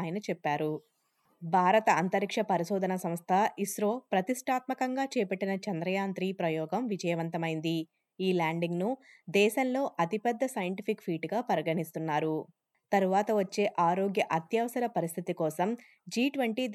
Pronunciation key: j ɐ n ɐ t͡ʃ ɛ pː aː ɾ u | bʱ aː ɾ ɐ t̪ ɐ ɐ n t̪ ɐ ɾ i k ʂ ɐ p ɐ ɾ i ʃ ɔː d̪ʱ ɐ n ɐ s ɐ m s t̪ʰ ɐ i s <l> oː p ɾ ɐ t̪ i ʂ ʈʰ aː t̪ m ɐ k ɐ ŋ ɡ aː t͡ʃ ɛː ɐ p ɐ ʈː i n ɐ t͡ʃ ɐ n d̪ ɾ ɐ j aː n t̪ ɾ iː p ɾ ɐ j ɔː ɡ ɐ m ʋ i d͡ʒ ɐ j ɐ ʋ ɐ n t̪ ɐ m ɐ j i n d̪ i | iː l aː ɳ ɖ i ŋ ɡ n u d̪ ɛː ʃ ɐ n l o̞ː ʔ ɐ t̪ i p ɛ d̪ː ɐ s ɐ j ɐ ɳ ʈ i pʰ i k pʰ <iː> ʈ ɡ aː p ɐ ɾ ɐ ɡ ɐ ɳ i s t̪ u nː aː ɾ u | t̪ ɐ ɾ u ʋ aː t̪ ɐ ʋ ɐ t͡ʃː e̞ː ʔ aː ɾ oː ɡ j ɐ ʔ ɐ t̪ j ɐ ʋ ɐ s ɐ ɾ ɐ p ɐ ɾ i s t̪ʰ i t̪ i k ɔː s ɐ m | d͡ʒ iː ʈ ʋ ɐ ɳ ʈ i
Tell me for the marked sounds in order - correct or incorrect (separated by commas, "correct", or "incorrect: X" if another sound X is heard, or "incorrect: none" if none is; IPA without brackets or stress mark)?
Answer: incorrect: ɾ, correct